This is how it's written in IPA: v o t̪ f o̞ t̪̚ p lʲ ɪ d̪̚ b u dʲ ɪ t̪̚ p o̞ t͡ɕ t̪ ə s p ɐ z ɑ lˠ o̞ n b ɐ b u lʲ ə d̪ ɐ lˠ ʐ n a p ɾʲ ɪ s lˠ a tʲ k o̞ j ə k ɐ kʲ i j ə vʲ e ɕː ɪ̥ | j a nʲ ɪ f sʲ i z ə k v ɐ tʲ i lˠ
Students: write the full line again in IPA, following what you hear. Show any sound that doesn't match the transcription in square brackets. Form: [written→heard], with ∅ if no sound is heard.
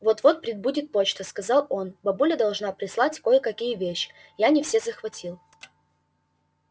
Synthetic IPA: v o t̪ [f→v] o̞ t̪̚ p [lʲ→ɾʲ] ɪ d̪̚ b u dʲ ɪ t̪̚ p o̞ t͡ɕ t̪ ə s [p→k] ɐ z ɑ lˠ o̞ n b ɐ b u lʲ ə d̪ ɐ lˠ ʐ n a p ɾʲ ɪ s lˠ a tʲ k o̞ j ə k ɐ kʲ i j ə vʲ e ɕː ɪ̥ | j a nʲ ɪ f sʲ [i→e] z ə [k→x] v ɐ tʲ i lˠ